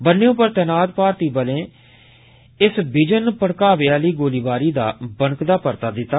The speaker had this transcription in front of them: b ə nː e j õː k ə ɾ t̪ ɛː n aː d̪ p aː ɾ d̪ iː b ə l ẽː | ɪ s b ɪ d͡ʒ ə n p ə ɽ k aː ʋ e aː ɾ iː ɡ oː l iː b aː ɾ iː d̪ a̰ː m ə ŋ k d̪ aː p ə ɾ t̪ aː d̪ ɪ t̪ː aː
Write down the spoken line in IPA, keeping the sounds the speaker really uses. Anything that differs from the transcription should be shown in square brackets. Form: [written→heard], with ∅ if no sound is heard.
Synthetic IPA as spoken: b ə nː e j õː [k→p] ə ɾ t̪ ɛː n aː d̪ p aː ɾ [d̪→t̪] iː b ə l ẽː | ɪ s b ɪ d͡ʒ ə n p ə ɽ k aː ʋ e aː [ɾ→l] iː ɡ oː l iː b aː ɾ iː d̪ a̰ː [m→b] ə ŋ k d̪ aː p ə ɾ t̪ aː d̪ ɪ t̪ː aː